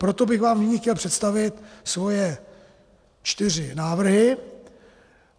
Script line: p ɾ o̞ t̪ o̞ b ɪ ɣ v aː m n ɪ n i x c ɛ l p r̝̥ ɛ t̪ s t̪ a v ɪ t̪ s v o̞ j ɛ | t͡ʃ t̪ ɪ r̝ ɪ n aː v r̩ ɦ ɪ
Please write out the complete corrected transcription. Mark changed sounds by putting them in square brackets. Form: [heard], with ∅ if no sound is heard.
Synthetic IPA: p ɾ o̞ t̪ o̞ b ɪ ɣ v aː m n ɪ [ɲ] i x c ɛ l p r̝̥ ɛ t̪ s t̪ a v ɪ t̪ s v o̞ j ɛ | t͡ʃ t̪ ɪ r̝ ɪ n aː v r̩ ɦ ɪ

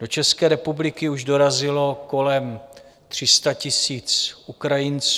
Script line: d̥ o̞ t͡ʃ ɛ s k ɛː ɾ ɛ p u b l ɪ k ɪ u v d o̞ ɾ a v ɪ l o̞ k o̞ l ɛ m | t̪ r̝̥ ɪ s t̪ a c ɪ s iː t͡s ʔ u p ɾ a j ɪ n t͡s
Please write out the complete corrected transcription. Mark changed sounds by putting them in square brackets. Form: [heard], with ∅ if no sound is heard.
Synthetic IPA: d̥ o̞ t͡ʃ ɛ s k ɛː ɾ ɛ p u b l ɪ k ɪ u [ʒ] d o̞ ɾ a [z] ɪ l o̞ k o̞ l ɛ m | t̪ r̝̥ ɪ s t̪ a c ɪ s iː t͡s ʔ u [k] ɾ a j ɪ n t͡s

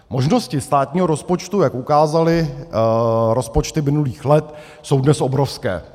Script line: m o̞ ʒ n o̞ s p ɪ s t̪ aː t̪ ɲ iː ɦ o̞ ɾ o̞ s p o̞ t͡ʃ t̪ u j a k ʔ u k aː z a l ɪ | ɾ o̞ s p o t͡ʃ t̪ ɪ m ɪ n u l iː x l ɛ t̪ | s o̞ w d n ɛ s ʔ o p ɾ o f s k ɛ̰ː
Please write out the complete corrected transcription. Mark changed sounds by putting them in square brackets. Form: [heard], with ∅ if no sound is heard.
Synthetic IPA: m o̞ ʒ n o̞ s [c] ɪ s t̪ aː t̪ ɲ iː ɦ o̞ ɾ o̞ s p o̞ t͡ʃ t̪ u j a k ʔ u k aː z a l ɪ | ɾ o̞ s p o t͡ʃ t̪ ɪ m ɪ n u l iː x l ɛ t̪ | s o̞ w d n ɛ s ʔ o [b] ɾ o f s k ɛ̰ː

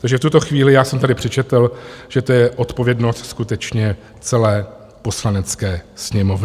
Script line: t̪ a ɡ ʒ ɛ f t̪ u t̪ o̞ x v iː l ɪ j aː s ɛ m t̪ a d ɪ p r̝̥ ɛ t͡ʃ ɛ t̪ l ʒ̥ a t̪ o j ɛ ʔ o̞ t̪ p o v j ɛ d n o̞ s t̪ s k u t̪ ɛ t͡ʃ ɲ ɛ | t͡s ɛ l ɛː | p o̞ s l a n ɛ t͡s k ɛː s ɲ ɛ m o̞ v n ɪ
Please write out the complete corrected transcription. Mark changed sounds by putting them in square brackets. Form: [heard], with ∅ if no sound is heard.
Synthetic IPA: t̪ a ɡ ʒ ɛ f t̪ u t̪ o̞ x v iː l ɪ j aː s ɛ m t̪ a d ɪ p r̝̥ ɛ t͡ʃ ɛ t̪ l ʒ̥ [ɛ] t̪ o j ɛ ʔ o̞ t̪ p o v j ɛ d n o̞ s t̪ s k u t̪ ɛ t͡ʃ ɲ ɛ | t͡s ɛ l ɛː | p o̞ s l a n ɛ t͡s k ɛː s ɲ ɛ m o̞ v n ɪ

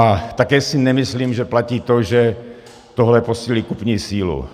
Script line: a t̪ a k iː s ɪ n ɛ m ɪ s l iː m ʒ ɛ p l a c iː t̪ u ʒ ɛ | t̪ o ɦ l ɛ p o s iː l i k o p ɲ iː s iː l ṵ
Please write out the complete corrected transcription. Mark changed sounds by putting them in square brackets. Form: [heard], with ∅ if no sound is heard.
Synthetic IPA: a t̪ a k [ɛː] s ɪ n ɛ m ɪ s l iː m ʒ ɛ p l a c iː t̪ [o] ʒ ɛ | t̪ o ɦ l ɛ p o s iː l i k [u] p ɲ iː s iː l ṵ

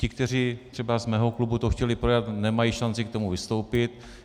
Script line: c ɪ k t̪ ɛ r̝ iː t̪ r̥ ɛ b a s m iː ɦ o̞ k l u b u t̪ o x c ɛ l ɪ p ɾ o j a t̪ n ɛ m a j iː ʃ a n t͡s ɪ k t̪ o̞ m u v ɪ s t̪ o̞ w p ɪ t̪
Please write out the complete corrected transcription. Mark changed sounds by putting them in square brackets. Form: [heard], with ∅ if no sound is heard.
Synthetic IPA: c ɪ k t̪ ɛ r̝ iː t̪ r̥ ɛ b a [z] m [ɛː] ɦ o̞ k l u b u t̪ o x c ɛ l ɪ p ɾ o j a t̪ n ɛ m a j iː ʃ a n t͡s ɪ k t̪ o̞ m u v ɪ s t̪ o̞ w p ɪ t̪

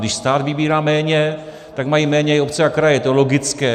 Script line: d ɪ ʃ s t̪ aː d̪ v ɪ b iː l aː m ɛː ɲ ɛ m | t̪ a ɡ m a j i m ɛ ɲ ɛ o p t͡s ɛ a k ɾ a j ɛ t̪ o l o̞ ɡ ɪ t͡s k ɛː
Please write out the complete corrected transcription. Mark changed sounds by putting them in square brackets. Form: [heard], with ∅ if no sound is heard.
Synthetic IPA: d ɪ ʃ s t̪ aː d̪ v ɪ b iː [ɾ] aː m ɛː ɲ ɛ [∅] | t̪ a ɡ m a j i m [ɛː] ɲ ɛ o p t͡s ɛ a k ɾ a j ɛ t̪ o l o̞ ɡ ɪ t͡s k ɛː

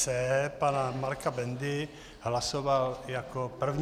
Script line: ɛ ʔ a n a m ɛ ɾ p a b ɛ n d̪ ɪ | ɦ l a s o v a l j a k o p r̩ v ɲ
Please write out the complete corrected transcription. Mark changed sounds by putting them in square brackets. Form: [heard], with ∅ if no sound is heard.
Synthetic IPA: ɛ [p] a n a m [a] ɾ [k] a b ɛ n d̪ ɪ | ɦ l a s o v a l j a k o p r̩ v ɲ

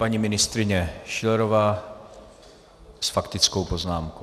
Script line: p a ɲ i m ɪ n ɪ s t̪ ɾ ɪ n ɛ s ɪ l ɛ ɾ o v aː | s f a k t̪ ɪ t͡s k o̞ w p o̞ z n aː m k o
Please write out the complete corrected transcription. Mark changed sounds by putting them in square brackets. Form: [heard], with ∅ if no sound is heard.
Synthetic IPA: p a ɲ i m ɪ n ɪ s t̪ ɾ ɪ [ɲ] ɛ [ʃ] ɪ l ɛ ɾ o v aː | s f a k t̪ ɪ t͡s k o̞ w p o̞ z n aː m k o

